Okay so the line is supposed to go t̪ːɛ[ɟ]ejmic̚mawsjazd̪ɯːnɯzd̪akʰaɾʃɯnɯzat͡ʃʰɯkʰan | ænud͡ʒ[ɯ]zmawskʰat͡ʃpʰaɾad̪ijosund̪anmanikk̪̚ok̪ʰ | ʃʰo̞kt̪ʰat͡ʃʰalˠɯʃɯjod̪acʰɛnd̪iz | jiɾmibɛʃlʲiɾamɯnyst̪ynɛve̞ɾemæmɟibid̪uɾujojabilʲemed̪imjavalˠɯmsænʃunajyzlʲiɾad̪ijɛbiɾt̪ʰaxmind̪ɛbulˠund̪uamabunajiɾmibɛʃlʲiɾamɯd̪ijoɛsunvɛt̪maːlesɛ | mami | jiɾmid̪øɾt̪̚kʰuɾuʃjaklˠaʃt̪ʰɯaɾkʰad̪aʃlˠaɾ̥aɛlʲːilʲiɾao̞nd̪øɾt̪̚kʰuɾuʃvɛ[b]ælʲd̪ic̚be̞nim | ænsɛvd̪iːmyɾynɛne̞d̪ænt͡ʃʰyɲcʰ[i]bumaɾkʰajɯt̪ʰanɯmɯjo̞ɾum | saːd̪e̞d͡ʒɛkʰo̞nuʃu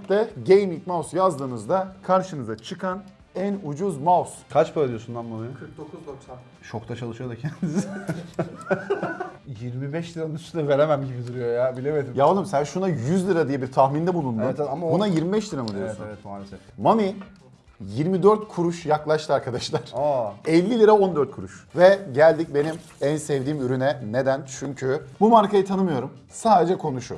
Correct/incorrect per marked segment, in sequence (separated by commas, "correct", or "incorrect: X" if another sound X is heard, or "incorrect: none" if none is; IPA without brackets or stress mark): correct, incorrect: u, incorrect: ɟ, incorrect: y